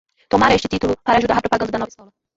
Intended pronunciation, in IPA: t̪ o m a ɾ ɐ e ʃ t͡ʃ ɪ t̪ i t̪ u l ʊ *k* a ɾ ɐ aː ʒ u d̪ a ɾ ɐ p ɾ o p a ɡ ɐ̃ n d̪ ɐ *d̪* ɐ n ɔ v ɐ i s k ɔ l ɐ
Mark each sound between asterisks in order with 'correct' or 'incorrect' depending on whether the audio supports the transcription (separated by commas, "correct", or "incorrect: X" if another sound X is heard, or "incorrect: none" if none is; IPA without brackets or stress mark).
incorrect: p, correct